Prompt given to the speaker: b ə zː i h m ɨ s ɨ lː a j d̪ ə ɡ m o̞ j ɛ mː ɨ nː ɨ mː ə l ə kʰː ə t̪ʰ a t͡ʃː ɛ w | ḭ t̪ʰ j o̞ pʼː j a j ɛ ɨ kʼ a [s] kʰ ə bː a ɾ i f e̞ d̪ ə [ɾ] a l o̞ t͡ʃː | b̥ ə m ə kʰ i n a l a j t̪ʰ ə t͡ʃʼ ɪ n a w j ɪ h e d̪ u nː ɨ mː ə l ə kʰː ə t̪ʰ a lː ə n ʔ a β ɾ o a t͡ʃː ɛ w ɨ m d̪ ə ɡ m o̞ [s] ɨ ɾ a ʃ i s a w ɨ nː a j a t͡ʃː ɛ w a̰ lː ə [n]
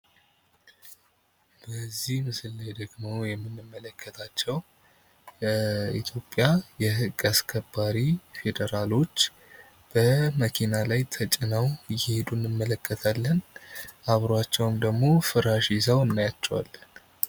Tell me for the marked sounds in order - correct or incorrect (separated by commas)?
correct, correct, incorrect, correct